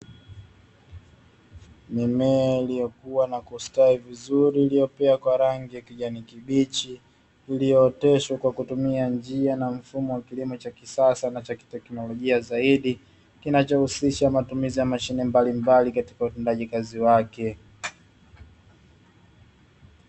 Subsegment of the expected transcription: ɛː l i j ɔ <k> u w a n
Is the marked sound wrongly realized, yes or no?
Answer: no